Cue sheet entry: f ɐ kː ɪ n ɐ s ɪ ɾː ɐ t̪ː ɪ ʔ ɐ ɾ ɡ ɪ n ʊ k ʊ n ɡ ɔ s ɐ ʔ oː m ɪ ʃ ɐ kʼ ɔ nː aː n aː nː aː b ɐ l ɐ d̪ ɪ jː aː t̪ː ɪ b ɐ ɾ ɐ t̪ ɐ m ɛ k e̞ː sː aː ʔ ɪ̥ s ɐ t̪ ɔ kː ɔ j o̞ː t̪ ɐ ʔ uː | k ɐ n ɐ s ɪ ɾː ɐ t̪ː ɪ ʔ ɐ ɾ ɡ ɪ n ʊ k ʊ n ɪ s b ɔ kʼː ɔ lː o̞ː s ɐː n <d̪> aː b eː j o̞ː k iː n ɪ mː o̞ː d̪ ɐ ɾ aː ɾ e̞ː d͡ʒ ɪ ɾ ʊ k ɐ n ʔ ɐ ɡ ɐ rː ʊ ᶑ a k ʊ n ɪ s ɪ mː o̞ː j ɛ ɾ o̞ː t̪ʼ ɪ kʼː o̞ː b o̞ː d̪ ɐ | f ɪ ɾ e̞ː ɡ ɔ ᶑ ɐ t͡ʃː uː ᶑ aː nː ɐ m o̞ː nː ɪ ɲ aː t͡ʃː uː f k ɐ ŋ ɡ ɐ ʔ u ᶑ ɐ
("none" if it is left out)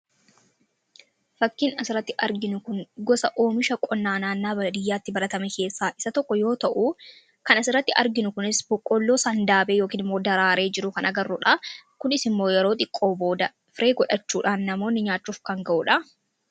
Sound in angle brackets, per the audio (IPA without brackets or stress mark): d̪